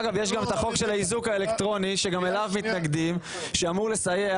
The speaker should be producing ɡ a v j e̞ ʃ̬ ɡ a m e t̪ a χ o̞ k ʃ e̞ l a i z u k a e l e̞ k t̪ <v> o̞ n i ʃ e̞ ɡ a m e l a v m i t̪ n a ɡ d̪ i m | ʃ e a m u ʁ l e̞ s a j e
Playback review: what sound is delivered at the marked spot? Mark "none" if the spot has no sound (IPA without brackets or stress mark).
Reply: ʁ